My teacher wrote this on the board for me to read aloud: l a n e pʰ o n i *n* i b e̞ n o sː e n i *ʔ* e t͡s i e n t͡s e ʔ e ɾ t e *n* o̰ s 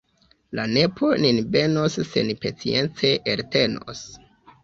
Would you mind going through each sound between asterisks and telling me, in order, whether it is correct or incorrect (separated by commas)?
correct, incorrect, correct